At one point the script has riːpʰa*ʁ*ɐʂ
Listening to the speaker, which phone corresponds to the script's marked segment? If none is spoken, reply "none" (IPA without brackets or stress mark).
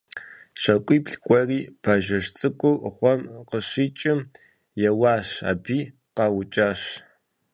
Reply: ʒ